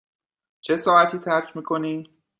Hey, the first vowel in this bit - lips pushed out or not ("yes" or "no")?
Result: no